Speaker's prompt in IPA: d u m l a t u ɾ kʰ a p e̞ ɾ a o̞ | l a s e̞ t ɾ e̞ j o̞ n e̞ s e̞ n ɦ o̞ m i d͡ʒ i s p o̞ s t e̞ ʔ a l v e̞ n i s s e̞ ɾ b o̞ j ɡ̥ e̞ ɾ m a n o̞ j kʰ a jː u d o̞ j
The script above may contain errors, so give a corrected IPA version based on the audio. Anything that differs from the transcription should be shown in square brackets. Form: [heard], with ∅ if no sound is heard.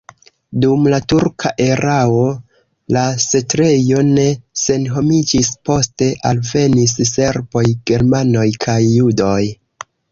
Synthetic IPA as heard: d u m l a t u ɾ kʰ a [ʔ] e̞ ɾ a o̞ | l a s e̞ t ɾ e̞ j o̞ n e̞ s e̞ n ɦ o̞ m i d͡ʒ i s p o̞ s t e̞ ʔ a l v e̞ n i s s e̞ ɾ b o̞ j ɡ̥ e̞ ɾ m a n o̞ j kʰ a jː u d o̞ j